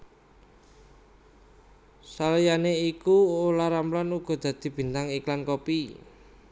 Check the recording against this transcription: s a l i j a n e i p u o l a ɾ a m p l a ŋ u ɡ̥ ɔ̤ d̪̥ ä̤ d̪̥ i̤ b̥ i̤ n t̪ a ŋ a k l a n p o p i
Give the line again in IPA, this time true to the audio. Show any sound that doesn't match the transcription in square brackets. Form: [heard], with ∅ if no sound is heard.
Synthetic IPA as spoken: s a l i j a n e i [k] u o l a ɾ a m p l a [n] u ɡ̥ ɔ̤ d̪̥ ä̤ d̪̥ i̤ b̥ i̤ n t̪ a ŋ [i] k l a n [k] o p i